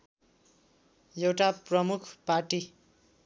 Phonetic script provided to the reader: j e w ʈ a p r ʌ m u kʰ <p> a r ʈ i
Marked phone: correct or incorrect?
correct